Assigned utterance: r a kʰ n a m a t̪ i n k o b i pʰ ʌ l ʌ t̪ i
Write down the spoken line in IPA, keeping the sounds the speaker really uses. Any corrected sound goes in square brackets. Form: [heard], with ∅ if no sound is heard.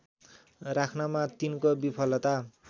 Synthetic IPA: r a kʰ n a m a t̪ i n k o b i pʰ ʌ l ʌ t̪ [a]